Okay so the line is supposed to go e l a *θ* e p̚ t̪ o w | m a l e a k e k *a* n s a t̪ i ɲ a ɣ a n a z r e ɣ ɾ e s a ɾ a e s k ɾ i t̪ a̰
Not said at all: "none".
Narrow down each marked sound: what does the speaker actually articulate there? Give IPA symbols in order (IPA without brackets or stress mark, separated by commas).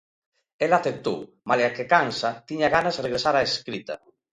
θ, a